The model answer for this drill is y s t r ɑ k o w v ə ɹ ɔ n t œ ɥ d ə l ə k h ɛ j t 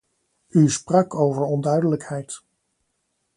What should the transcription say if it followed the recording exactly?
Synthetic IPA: y s p r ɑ k o w v ə ɹ ɔ n d œ ɥ d ə l ə k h ɛ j t